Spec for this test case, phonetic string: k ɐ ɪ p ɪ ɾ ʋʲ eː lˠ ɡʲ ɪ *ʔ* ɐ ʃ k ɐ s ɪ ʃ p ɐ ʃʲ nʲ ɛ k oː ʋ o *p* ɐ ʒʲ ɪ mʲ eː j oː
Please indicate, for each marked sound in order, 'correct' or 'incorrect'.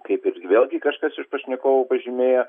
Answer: incorrect: k, correct

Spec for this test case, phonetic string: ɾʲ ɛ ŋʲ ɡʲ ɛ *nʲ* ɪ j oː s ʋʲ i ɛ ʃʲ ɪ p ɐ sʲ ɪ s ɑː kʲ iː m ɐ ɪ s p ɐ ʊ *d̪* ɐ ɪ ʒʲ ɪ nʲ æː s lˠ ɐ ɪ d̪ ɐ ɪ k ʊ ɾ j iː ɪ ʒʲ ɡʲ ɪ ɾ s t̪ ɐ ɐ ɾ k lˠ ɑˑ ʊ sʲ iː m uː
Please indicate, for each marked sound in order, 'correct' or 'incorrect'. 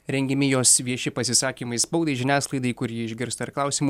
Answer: incorrect: mʲ, correct

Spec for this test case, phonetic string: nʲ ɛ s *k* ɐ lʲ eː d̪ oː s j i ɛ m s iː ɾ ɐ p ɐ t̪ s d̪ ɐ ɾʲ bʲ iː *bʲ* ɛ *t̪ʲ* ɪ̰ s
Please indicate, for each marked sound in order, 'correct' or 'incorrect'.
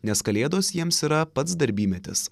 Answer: correct, incorrect: mʲ, correct

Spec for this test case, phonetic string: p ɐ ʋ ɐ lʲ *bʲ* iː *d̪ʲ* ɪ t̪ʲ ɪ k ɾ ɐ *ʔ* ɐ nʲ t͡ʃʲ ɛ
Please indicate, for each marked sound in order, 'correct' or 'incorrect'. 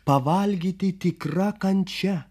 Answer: incorrect: ɡʲ, incorrect: t̪ʲ, incorrect: k

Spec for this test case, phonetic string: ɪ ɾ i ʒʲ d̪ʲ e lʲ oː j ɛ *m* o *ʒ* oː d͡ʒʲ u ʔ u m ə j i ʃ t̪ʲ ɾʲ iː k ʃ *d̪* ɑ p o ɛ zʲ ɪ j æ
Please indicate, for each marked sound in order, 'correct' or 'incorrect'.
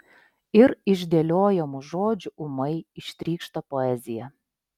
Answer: correct, correct, incorrect: t̪

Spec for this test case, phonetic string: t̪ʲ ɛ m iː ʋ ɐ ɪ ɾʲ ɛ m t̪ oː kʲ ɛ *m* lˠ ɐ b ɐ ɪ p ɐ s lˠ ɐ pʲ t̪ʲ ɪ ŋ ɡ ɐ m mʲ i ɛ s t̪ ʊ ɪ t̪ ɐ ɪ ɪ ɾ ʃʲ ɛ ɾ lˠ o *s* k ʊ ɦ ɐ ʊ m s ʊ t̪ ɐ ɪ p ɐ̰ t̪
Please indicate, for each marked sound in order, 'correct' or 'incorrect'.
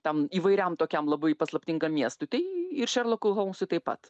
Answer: correct, incorrect: none

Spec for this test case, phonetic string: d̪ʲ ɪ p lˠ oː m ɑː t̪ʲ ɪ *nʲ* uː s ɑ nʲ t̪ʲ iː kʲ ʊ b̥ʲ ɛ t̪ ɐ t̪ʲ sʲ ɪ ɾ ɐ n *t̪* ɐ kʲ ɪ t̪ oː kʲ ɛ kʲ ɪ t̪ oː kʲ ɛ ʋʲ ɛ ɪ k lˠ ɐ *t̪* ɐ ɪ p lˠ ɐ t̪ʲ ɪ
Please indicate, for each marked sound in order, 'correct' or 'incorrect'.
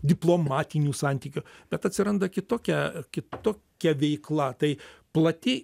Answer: correct, incorrect: d̪, correct

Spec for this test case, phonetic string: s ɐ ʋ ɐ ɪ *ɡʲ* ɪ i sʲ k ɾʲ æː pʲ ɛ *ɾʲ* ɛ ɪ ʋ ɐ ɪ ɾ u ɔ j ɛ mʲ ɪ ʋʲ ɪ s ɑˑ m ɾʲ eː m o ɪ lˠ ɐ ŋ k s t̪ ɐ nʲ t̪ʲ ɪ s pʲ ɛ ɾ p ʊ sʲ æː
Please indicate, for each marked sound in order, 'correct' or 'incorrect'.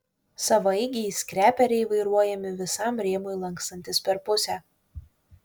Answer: correct, correct

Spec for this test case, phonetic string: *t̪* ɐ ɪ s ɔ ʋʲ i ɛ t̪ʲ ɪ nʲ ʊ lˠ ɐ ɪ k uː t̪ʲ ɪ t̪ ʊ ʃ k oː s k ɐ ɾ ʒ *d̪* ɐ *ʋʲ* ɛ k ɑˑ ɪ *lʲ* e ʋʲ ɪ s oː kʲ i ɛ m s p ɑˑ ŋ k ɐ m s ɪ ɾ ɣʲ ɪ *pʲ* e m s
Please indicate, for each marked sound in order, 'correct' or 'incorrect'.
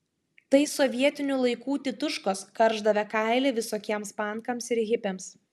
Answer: correct, correct, correct, correct, correct

